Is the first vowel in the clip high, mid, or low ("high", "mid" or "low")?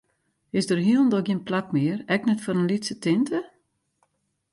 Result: high